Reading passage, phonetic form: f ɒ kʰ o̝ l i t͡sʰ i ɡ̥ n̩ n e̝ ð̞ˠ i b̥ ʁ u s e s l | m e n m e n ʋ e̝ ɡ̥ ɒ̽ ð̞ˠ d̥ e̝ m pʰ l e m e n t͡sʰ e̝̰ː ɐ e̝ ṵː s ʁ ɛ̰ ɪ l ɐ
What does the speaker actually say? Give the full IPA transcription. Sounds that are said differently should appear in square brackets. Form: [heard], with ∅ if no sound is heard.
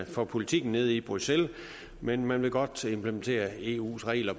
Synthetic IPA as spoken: f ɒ [pʰ] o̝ l i t͡sʰ i ɡ̥ n̩ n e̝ ð̞ˠ i b̥ ʁ u s e [∅] l | m e n m [æ] n ʋ e̝ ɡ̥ ɒ̽ [∅] d̥ e̝ m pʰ l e m e n t͡sʰ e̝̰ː ɐ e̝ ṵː s ʁ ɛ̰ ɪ l ɐ